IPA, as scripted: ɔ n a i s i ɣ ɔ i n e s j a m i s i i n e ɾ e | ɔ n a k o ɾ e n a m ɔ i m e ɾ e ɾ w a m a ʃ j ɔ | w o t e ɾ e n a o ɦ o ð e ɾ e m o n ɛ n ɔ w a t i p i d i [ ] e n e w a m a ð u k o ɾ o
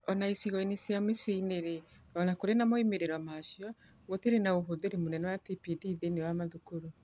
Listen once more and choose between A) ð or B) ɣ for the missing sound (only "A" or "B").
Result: A